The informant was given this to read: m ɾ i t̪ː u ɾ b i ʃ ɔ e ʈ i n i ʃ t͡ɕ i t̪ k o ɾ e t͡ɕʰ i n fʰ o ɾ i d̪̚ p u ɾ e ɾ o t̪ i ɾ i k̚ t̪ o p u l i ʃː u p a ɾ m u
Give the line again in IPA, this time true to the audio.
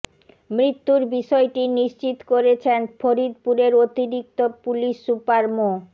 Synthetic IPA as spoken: m ɾ i t̪ː u ɾ b i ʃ ɔ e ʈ i n i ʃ t͡ɕ i t̪ k o ɾ e t͡ɕʰ e n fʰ o ɾ i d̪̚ p u ɾ e ɾ o t̪ i ɾ i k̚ t̪ o p u l i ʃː u p a ɾ m o